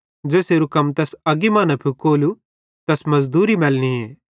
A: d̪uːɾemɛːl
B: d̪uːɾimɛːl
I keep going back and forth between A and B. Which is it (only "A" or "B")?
B